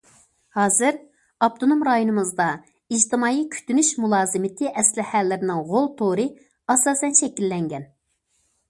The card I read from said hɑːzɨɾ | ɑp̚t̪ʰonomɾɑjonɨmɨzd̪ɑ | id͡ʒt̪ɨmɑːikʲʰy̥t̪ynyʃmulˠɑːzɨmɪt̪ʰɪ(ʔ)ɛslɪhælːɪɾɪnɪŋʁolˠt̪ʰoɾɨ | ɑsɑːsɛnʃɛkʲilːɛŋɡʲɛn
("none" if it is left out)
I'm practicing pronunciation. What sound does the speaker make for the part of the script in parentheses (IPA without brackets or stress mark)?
ʔ